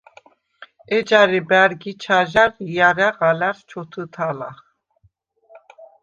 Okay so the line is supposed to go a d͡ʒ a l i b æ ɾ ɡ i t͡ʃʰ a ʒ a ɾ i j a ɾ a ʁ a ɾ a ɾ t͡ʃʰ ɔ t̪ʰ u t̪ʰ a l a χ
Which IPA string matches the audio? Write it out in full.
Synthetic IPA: ɛ d͡ʒ a ɾ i b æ ɾ ɡ i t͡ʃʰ a ʒ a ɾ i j a ɾ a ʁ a l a ɾ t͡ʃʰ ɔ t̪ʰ u t̪ʰ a l a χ